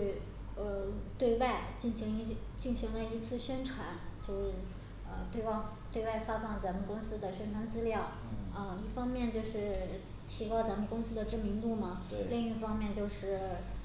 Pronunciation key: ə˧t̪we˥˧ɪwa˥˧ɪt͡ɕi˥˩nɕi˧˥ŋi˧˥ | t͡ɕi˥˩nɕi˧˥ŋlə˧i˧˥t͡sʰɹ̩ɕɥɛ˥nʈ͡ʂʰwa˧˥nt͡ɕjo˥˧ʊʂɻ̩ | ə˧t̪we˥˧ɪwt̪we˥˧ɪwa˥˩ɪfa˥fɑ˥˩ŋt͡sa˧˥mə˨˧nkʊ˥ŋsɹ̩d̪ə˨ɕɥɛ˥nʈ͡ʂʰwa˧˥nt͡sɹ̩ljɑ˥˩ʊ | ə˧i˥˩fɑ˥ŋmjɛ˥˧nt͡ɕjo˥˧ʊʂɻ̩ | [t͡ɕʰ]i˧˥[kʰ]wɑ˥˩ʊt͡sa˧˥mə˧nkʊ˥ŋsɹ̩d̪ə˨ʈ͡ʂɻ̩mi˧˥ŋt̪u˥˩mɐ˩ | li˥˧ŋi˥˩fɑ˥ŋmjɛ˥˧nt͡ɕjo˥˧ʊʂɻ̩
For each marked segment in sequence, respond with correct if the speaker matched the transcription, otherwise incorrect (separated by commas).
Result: correct, incorrect